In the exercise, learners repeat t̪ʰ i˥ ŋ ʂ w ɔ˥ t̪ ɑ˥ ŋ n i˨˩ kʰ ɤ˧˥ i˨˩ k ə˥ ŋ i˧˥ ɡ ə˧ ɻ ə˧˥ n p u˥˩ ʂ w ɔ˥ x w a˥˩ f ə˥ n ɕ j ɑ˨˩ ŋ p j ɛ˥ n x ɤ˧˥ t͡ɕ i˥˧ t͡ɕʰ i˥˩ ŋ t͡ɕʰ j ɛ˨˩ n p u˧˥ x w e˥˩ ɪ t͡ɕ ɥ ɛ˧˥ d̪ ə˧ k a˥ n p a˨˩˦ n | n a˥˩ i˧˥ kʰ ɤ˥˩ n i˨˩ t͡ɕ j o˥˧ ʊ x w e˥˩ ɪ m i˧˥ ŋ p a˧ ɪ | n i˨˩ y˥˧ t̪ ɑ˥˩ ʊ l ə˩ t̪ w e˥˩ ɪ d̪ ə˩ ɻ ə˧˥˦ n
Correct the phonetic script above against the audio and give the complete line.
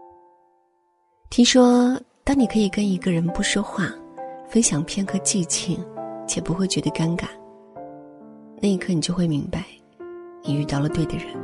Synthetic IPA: t̪ʰ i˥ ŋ ʂ w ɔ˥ t̪ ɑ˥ ŋ n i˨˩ kʰ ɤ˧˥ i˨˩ k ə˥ n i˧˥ ɡ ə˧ ɻ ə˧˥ n p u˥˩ ʂ w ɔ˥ x w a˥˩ f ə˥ n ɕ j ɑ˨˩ ŋ pʰ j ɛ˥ n x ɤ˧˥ t͡ɕ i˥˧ t͡ɕʰ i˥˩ ŋ t͡ɕʰ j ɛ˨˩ p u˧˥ x w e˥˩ ɪ t͡ɕ ɥ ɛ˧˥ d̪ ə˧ k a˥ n k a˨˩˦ n | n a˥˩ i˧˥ kʰ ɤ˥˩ n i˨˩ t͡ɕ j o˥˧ ʊ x w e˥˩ ɪ m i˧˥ ŋ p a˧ ɪ | n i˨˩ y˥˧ t̪ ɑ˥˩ ʊ l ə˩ t̪ w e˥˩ ɪ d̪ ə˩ ɻ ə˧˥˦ n